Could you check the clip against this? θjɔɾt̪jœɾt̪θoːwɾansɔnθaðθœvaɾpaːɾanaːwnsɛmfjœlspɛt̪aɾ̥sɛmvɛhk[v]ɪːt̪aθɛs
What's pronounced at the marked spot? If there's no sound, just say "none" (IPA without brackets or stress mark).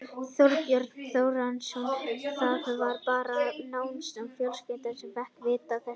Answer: v